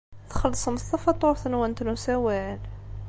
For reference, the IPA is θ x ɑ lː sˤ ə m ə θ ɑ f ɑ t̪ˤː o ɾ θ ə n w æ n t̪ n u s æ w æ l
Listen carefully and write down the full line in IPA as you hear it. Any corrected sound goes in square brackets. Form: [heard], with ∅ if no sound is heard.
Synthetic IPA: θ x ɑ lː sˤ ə m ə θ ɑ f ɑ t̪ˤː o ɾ θ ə n w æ n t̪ n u s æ w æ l